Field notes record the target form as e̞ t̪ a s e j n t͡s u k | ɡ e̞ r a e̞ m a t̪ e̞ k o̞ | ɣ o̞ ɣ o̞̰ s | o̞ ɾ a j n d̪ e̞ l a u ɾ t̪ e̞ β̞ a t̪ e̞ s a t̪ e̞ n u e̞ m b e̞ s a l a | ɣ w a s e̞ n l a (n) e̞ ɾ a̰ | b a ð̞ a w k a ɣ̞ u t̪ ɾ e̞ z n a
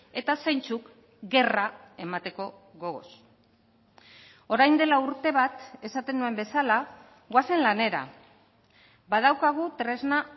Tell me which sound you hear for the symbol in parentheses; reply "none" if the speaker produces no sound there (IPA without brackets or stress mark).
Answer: n